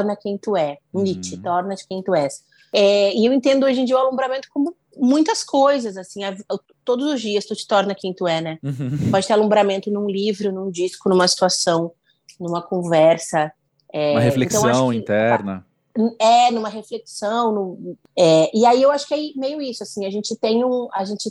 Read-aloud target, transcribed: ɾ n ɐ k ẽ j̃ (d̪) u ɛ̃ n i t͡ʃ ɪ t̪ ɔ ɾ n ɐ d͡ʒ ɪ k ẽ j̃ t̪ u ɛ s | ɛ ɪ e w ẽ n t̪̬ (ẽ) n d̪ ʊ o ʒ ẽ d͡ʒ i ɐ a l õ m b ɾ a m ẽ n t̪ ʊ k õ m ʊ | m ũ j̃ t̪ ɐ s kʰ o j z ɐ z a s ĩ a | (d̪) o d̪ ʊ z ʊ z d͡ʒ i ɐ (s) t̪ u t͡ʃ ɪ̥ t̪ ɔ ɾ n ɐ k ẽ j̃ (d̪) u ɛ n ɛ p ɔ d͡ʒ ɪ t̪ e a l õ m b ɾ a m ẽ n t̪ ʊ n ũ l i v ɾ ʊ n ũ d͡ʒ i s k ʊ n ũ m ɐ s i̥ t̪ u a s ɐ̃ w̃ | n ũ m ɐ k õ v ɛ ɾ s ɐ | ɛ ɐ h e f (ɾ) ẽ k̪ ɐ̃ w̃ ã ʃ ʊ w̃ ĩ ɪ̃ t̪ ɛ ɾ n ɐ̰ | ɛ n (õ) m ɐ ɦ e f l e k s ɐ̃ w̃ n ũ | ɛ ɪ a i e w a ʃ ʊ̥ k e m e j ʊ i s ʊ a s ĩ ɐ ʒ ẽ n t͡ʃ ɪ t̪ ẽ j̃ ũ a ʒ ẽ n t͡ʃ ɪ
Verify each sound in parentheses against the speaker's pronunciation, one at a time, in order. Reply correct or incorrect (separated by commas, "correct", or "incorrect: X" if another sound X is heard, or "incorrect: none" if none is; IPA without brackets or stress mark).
incorrect: t̪, correct, incorrect: t̪, correct, incorrect: t̪, incorrect: l, incorrect: ũ